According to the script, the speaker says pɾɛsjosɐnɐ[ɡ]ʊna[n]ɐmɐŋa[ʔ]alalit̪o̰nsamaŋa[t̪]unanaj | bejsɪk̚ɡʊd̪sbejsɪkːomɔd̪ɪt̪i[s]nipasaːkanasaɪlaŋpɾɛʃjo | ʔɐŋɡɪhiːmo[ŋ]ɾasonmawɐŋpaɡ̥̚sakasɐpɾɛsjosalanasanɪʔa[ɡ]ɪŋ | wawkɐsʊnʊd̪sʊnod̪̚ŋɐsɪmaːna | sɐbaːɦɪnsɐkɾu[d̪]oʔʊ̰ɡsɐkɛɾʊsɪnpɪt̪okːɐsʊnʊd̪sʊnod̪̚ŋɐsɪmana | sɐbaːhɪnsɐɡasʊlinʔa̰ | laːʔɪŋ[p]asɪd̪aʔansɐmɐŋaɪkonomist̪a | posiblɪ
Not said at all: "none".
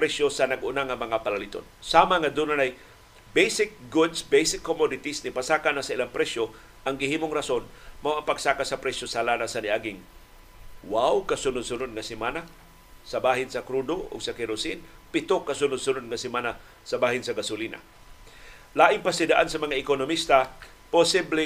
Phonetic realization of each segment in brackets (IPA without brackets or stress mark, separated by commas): ɡ, ŋ, p, d̪, s, ŋ, ɡ, d̪, p